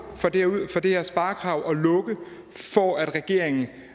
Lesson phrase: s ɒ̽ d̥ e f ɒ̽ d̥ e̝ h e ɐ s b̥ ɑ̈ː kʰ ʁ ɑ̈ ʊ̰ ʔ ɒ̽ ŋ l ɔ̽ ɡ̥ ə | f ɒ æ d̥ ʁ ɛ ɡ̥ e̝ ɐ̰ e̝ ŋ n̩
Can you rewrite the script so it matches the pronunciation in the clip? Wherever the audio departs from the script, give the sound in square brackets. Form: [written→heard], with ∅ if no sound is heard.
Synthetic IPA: [s→f] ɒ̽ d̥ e f ɒ̽ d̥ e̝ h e ɐ s b̥ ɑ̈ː kʰ ʁ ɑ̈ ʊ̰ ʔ ɒ̽ [ŋ→∅] l ɔ̽ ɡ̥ ə | f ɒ æ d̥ ʁ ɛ ɡ̥ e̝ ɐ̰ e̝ ŋ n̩